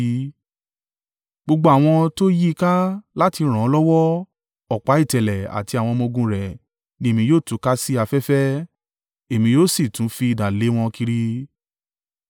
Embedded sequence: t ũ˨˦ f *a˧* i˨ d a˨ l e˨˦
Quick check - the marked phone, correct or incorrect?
incorrect: i˧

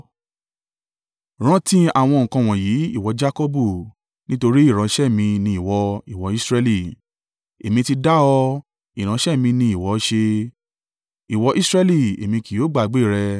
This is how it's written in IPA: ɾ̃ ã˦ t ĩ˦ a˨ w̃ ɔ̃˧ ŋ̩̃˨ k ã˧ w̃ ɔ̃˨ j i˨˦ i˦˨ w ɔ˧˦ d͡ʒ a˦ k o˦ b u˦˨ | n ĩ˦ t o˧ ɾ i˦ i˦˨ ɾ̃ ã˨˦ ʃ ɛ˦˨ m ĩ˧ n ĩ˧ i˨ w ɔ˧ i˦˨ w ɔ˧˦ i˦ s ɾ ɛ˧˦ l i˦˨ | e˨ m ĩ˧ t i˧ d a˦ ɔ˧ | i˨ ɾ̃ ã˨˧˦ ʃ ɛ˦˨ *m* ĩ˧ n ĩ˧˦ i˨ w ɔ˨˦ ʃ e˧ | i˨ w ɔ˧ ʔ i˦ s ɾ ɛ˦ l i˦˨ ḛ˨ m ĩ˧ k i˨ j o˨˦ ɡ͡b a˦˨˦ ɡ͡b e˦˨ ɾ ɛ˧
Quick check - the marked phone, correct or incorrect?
correct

